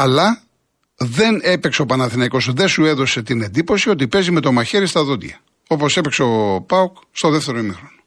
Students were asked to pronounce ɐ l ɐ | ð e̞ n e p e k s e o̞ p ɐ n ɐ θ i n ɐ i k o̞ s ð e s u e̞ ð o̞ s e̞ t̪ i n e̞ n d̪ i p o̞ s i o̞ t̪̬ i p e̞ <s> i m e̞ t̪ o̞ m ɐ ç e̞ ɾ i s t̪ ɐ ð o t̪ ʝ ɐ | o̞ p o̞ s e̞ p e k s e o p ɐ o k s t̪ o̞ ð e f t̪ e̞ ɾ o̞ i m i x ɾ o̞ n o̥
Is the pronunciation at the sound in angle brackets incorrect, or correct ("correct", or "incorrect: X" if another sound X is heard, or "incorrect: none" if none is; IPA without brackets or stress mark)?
incorrect: z